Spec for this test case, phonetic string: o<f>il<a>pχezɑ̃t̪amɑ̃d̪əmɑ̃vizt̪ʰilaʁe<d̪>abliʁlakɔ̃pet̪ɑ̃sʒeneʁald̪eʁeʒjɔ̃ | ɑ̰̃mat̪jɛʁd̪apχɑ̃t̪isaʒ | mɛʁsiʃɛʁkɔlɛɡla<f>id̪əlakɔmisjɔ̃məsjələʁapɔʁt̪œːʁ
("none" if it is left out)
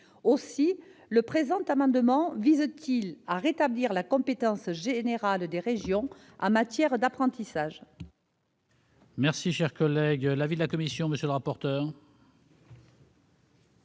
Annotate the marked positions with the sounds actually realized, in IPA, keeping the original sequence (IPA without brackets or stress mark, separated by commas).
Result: s, ə, t̪, v